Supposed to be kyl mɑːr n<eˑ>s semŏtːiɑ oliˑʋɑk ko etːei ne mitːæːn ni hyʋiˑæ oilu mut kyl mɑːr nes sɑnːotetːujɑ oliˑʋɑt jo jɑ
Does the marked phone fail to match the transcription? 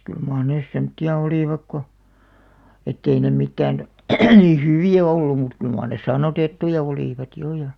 no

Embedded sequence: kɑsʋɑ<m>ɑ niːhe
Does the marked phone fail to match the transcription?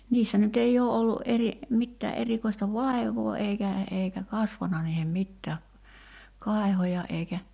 yes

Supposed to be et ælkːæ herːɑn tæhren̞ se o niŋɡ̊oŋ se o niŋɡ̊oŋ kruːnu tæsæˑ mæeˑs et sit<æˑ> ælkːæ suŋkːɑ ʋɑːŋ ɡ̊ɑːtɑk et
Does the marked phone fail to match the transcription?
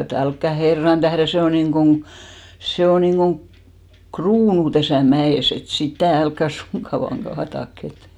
no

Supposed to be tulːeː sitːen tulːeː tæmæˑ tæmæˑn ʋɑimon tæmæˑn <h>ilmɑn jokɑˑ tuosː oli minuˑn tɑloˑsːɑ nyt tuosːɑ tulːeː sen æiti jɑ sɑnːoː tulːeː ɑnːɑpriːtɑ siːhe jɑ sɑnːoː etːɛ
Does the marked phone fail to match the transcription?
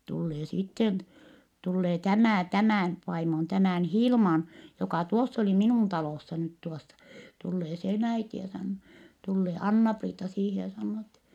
no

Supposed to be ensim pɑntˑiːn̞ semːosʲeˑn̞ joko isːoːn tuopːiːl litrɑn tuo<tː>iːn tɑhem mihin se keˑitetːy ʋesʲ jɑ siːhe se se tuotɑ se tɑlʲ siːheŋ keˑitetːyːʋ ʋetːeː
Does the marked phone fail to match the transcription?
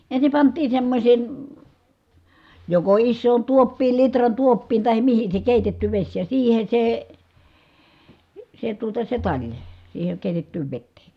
yes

